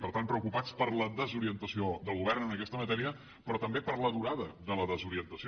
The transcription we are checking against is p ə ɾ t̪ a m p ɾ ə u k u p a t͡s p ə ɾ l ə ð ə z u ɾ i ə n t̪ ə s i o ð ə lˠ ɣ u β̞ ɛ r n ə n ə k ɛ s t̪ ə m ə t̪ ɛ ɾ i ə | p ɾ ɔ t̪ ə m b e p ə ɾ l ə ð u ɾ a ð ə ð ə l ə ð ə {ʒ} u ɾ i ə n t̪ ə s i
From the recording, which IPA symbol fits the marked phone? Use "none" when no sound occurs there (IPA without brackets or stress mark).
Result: z